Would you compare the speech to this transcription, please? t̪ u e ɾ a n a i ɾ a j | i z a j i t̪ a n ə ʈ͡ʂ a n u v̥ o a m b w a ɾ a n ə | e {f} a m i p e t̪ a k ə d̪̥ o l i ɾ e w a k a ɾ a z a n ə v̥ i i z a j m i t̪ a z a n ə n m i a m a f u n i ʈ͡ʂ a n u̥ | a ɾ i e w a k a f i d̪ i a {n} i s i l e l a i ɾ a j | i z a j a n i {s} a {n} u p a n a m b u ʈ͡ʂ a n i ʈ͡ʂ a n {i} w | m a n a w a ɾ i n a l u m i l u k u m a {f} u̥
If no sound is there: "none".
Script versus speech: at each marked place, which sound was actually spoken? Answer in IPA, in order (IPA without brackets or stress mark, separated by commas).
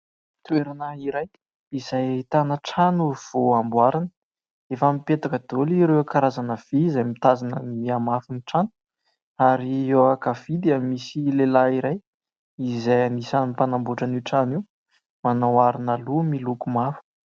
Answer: f, m, s, n, i, f